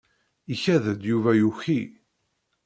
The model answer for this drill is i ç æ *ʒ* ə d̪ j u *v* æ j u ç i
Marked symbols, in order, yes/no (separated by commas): no, yes